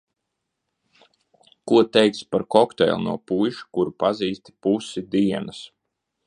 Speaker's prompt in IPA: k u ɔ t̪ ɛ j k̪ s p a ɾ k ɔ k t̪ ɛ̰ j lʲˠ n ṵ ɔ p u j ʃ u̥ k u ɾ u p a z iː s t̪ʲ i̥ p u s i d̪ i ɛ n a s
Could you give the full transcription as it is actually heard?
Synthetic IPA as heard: k u ɔ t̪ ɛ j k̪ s p a ɾ k ɔ k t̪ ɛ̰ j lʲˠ n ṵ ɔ p u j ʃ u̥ k u ɾ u p a z iː s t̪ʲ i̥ p u s i d̪ i ɛ n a s